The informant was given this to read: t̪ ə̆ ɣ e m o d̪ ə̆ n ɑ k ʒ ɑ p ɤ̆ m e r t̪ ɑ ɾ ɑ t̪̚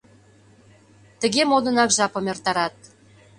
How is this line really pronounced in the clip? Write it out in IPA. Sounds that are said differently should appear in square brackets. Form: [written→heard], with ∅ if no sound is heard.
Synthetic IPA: t̪ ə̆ ɣ e m o d̪ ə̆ n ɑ k ʒ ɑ p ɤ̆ m e r t̪ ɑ ɾ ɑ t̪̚